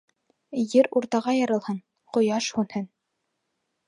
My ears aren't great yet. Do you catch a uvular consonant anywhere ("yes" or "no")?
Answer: yes